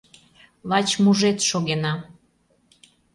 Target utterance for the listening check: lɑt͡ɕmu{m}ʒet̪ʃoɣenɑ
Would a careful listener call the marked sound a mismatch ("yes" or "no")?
yes